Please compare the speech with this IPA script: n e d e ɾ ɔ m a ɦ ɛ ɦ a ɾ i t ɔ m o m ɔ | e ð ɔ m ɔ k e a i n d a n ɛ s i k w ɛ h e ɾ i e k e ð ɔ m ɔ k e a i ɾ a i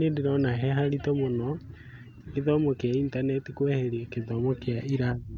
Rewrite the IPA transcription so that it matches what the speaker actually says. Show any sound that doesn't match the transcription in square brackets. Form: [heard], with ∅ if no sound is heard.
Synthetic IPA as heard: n e d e ɾ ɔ [n] a ɦ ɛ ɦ a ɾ i t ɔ m o [n] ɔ | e ð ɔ m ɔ k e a i n [t] a n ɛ [t] i k w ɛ h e ɾ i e k e ð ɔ m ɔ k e a i ɾ a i